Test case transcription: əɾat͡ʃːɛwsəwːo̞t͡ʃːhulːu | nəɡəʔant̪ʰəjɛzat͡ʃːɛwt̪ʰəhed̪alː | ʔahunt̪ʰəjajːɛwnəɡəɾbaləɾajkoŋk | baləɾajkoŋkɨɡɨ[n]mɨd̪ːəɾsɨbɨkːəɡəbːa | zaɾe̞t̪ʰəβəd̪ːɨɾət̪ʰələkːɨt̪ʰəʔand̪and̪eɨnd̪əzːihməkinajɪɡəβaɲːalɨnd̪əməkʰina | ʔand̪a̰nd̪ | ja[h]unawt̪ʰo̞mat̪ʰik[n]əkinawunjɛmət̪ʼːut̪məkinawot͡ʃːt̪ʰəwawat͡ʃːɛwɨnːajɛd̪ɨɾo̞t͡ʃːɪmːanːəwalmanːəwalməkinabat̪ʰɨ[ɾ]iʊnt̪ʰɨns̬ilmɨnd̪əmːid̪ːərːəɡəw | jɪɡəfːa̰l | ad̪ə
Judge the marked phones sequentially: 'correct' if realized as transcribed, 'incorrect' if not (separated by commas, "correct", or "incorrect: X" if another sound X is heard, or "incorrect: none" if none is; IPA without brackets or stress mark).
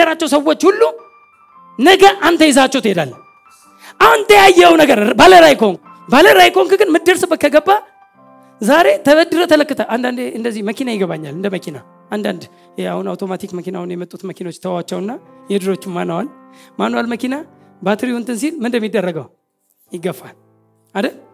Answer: correct, correct, incorrect: m, correct